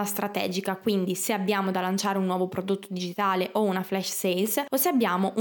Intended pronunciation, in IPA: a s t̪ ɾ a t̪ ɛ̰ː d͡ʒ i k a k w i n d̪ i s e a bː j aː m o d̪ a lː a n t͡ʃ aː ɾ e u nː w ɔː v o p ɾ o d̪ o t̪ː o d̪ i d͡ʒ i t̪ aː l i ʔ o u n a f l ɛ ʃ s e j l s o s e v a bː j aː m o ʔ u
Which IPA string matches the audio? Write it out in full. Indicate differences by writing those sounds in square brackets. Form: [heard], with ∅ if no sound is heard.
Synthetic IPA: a s t̪ ɾ a t̪ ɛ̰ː d͡ʒ i k a k w i n d̪ i s e a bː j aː m o d̪ a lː a n t͡ʃ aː ɾ e u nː w ɔː v o p ɾ o d̪ o t̪ː o d̪ i d͡ʒ i t̪ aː l [e] ʔ o u n a f l ɛ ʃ s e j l s o s e [∅] a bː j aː m o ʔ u